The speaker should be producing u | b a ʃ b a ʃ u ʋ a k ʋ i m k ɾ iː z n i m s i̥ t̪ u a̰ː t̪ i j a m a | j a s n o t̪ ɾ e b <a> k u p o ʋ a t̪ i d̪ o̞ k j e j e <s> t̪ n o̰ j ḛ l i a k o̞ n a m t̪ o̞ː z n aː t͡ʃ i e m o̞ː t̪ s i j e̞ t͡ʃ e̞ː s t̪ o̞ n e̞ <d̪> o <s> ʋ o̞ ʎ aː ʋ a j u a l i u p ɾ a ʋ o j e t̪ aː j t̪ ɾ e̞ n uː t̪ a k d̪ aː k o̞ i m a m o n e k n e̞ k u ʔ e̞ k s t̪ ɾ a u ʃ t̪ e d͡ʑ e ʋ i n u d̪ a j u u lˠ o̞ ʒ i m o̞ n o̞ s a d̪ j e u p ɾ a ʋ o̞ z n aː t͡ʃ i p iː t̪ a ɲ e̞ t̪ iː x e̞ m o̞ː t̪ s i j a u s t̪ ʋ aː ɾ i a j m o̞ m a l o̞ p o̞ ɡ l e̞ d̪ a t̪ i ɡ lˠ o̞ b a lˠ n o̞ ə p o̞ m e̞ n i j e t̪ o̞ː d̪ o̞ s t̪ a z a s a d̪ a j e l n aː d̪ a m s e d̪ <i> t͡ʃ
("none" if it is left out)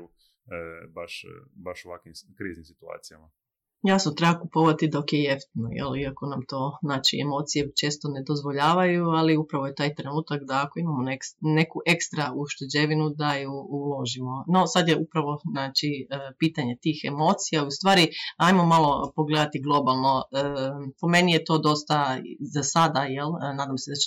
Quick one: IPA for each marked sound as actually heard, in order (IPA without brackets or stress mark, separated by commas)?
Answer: a, f, d̪, z, a